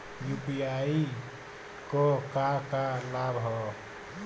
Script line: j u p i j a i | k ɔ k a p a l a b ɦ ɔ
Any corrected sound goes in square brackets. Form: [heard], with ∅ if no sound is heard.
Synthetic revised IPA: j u p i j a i | k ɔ k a [k] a l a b ɦ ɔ